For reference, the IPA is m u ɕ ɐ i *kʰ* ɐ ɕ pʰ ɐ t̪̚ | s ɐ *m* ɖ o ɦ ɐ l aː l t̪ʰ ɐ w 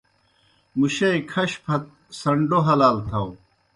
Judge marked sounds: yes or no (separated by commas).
yes, no